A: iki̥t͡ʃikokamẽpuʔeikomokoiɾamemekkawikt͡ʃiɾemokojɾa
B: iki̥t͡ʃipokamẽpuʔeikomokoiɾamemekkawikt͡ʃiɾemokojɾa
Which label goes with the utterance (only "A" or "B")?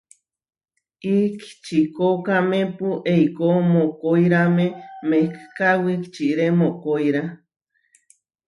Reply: A